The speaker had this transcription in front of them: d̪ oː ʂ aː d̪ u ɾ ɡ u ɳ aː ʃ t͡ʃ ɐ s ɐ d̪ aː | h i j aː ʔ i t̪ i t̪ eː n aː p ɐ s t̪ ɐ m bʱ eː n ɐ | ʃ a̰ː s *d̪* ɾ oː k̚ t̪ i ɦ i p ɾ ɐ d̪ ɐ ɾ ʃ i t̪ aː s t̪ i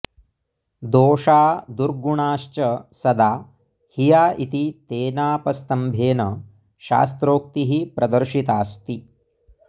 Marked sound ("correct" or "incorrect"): incorrect